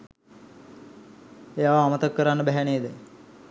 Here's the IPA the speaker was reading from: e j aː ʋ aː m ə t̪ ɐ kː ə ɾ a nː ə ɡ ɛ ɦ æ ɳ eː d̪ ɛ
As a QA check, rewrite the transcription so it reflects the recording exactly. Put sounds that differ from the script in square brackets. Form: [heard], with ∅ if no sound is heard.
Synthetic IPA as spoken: e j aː ʋ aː m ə t̪ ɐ kː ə ɾ a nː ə [b] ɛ ɦ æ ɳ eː d̪ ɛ